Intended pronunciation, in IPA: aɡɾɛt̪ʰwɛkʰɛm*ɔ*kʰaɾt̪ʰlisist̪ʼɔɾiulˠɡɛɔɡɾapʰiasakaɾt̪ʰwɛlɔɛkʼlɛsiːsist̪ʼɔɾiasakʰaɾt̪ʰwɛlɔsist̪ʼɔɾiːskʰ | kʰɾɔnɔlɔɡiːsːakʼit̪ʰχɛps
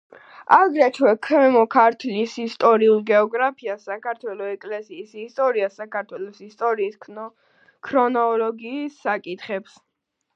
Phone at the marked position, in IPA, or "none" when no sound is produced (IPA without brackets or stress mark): ɔ